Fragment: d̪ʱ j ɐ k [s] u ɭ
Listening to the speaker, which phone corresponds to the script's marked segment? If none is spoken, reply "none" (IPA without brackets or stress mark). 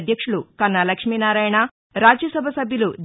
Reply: ʂ